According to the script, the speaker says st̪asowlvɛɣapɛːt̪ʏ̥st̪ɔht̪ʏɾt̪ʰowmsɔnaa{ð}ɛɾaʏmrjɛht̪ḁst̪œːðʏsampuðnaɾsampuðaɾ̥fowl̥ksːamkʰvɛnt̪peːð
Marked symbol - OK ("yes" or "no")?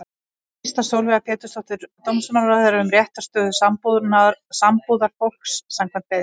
yes